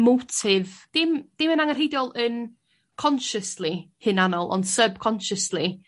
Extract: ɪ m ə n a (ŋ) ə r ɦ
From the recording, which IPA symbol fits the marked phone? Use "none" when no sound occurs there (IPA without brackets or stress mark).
ŋ